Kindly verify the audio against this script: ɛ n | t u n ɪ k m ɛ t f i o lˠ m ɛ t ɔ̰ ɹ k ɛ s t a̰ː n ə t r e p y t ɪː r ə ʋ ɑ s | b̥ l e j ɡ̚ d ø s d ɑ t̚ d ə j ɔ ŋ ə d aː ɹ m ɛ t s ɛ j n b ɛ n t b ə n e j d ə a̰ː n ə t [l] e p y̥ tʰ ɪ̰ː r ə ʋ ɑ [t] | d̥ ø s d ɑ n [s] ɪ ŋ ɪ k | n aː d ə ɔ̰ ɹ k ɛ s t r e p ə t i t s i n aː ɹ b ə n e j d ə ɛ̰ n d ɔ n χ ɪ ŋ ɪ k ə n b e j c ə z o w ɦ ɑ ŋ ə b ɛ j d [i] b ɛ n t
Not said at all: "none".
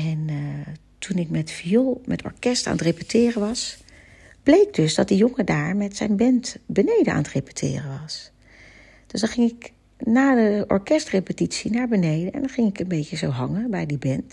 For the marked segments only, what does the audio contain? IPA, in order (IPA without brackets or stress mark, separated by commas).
r, s, χ, i